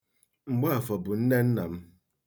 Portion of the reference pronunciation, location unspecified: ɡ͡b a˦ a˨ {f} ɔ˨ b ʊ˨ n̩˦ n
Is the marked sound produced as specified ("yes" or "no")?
yes